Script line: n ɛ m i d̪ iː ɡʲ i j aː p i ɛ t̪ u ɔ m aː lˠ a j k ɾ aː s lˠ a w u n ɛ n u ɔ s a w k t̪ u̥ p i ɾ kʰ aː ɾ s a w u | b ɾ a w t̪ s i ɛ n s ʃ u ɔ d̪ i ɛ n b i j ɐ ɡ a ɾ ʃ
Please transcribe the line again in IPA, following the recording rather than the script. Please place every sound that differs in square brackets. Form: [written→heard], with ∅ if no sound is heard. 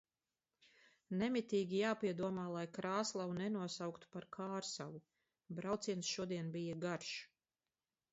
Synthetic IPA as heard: n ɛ m i [d̪→t̪] iː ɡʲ i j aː p i ɛ [t̪→d̪] u ɔ m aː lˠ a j k ɾ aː s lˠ a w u n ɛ n u ɔ s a w k t̪ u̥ p [i→a] ɾ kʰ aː ɾ s a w u | b ɾ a w t̪ s i ɛ n s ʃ u ɔ d̪ i ɛ n b i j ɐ ɡ a ɾ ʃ